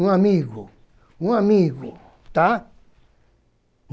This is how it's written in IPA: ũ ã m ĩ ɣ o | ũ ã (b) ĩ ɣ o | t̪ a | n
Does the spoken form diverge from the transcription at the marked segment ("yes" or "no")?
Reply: yes